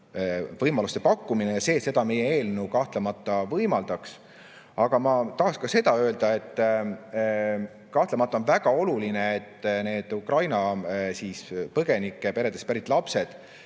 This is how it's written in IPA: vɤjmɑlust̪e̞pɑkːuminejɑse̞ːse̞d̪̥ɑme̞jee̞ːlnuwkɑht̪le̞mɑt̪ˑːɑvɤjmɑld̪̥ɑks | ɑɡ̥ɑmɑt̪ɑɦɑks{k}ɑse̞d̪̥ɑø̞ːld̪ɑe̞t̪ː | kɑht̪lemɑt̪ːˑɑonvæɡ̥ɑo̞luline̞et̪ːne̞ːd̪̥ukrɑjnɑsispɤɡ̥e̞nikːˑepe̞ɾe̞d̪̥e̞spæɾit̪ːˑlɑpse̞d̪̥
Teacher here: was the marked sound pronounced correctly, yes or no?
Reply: yes